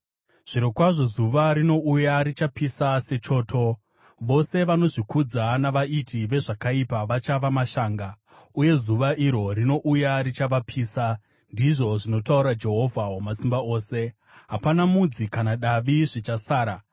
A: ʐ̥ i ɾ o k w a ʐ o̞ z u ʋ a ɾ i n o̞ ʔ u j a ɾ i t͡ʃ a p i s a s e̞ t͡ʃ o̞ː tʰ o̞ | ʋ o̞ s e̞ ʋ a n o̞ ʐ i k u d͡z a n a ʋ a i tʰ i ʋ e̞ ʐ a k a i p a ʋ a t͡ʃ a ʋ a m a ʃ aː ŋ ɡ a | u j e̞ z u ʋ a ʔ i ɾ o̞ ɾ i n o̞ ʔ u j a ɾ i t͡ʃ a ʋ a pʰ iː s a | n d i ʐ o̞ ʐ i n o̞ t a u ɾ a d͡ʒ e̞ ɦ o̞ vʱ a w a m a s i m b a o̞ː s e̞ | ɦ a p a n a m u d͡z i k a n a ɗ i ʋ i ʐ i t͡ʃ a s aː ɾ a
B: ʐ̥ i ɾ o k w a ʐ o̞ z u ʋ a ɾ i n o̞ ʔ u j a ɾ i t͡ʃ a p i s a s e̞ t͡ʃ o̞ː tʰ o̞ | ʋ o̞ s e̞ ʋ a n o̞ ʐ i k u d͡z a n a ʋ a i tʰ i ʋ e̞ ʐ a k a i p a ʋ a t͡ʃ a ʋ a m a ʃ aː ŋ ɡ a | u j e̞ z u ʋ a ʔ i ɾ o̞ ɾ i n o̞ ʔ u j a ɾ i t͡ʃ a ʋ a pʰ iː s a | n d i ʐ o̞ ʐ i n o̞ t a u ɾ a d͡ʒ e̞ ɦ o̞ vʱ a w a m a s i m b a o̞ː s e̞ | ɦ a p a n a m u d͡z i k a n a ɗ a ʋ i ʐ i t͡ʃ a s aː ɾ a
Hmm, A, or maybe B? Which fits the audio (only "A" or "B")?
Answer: B